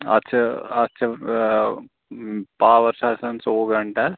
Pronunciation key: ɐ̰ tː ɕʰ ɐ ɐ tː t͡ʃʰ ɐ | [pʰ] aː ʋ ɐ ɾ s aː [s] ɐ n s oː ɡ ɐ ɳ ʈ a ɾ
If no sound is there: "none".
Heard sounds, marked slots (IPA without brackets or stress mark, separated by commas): p, s